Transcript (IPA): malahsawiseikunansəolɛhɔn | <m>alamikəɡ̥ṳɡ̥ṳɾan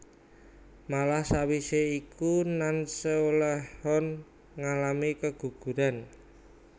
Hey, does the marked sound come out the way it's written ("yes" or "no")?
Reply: no